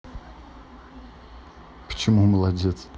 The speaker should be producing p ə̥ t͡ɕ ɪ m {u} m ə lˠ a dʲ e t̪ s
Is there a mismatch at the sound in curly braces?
no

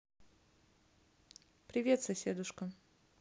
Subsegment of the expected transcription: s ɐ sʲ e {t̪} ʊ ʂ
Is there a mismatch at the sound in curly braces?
yes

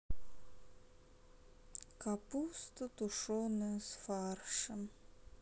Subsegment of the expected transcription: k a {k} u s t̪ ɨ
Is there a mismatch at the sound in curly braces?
yes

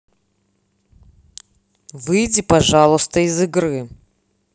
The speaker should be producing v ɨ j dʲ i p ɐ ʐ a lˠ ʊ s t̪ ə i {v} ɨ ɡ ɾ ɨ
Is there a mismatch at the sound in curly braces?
yes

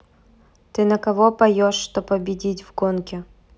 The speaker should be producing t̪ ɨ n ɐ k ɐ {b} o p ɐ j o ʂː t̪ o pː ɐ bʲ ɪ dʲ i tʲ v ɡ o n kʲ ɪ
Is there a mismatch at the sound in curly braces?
yes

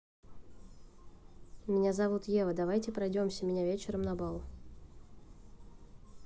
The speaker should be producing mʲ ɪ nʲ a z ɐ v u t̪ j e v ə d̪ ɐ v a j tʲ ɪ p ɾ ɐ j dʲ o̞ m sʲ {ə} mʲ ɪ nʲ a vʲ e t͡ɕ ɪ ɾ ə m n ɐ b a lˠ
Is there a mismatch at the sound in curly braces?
no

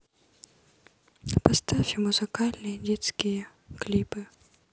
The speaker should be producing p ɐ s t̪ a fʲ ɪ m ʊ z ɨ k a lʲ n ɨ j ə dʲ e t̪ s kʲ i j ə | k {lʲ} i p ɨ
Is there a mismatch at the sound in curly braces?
no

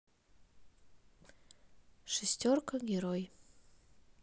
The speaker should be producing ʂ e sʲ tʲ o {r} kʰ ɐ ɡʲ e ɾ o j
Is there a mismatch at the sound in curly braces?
no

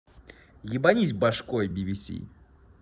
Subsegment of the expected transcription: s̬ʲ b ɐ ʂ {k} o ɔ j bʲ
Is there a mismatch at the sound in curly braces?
no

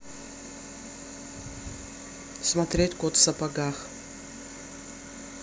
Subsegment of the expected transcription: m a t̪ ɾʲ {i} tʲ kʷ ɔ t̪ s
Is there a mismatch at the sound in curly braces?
yes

